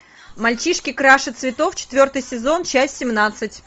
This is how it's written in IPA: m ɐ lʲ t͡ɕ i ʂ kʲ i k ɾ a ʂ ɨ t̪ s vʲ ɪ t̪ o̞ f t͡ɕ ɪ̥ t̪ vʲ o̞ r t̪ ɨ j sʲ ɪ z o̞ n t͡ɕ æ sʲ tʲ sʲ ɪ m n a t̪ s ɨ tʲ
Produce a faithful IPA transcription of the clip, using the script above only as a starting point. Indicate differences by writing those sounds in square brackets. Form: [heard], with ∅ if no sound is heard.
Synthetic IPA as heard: m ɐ lʲ t͡ɕ i ʂ kʲ [ɪ] k ɾ a ʂ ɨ t̪ s vʲ ɪ t̪ o̞ f t͡ɕ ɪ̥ t̪ vʲ o̞ r t̪ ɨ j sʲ ɪ z o̞ n t͡ɕ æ sʲ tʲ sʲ ɪ m n a t̪ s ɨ tʲ

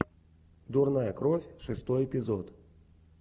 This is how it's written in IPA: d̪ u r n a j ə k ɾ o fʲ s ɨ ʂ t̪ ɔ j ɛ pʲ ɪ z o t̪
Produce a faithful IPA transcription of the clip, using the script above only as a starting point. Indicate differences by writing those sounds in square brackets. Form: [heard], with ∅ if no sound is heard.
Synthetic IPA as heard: d̪ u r n a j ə k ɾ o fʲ [ʂ] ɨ [s] t̪ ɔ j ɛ pʲ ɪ z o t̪

